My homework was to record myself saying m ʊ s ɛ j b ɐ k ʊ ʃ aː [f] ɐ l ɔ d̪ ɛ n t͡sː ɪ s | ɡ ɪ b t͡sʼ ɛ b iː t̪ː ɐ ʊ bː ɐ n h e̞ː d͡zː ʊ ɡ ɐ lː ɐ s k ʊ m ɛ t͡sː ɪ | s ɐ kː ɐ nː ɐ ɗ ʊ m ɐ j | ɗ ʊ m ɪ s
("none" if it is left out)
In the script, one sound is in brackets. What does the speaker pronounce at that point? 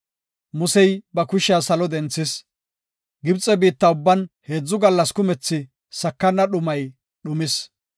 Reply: s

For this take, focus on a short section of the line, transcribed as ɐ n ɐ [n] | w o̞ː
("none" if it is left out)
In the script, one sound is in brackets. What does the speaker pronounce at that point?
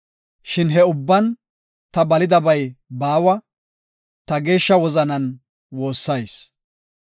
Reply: n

